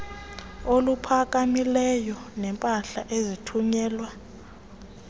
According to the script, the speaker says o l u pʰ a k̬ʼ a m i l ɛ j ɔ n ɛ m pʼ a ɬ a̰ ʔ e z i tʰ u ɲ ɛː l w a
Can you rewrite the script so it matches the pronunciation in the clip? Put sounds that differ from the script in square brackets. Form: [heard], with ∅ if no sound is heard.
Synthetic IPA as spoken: o l u pʰ a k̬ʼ a m i l ɛ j ɔ n ɛ m pʼ a ɬ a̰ ʔ e z i tʰ u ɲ ɛː l w a